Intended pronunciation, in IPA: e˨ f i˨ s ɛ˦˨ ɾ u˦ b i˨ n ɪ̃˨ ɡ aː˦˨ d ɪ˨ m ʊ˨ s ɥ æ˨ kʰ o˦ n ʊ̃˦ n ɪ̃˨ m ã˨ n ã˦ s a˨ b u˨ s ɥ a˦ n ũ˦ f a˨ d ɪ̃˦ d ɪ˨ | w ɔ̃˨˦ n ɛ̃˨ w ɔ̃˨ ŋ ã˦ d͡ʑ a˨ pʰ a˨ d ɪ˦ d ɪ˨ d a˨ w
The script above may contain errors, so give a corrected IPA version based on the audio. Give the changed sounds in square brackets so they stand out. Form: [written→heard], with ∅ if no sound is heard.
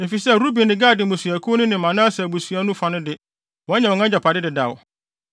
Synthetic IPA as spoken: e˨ f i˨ s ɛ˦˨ ɾ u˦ b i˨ n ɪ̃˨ ɡ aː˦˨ d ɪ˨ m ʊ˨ s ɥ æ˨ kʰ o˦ n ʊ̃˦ n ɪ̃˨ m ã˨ n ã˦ s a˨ b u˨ s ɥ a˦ n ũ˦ f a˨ [d→n] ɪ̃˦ d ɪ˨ | w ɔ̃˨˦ [n→ɲ] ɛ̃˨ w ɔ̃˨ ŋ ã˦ d͡ʑ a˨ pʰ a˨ d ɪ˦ d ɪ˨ d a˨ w